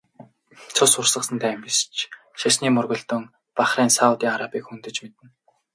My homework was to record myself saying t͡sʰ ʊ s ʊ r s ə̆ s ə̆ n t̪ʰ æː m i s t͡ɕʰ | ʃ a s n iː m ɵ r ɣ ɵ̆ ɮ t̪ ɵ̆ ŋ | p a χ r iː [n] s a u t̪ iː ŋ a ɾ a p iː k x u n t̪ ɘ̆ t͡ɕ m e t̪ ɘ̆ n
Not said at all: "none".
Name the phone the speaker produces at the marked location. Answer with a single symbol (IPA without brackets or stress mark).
n